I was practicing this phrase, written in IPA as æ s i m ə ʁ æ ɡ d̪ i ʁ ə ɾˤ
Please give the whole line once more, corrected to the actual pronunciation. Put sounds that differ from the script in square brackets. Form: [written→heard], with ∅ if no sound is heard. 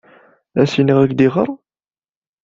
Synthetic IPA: æ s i [m→n] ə ʁ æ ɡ d̪ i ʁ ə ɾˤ